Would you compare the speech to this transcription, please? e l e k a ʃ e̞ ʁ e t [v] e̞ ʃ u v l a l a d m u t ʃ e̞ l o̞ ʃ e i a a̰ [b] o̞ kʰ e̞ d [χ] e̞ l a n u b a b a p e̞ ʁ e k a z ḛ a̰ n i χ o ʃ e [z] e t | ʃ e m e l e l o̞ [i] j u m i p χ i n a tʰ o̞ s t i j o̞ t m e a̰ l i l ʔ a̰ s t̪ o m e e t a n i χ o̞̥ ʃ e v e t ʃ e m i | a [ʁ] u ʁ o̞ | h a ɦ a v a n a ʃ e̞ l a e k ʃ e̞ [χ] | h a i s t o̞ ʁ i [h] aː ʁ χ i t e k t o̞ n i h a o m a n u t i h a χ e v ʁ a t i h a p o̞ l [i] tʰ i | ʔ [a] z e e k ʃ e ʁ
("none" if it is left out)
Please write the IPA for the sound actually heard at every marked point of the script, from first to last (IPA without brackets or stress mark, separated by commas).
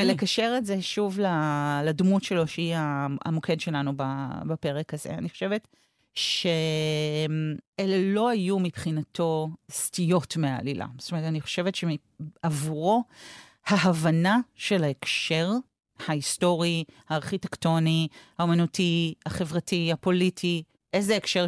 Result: z, m, ʃ, v, a, v, ʁ, h, i, e